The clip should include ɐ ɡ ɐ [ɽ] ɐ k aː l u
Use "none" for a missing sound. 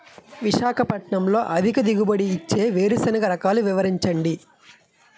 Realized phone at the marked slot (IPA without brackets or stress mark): ɾ